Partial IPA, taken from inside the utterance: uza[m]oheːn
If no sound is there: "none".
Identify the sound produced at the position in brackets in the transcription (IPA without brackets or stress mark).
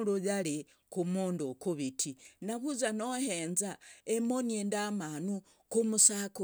n